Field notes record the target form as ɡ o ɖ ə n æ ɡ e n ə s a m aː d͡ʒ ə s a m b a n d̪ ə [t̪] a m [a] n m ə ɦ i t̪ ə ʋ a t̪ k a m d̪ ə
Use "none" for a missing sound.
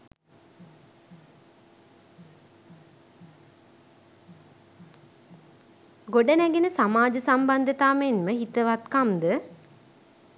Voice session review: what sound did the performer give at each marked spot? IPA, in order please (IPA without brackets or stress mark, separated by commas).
t̪, e